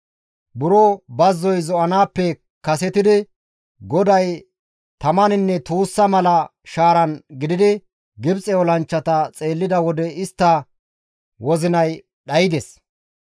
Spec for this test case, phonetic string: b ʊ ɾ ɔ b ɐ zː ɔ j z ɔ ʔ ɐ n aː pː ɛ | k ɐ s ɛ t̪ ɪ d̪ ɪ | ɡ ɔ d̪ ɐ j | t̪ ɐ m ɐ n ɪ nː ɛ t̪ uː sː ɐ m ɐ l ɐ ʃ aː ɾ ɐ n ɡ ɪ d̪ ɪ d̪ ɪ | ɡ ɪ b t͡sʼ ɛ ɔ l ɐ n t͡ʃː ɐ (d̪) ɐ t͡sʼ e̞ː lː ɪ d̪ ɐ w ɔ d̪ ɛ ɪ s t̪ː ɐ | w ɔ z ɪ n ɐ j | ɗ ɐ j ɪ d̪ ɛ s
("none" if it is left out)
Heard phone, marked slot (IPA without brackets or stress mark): t̪